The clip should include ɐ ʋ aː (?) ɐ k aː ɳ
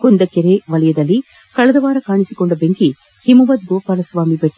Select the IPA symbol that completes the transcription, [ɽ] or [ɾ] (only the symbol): ɾ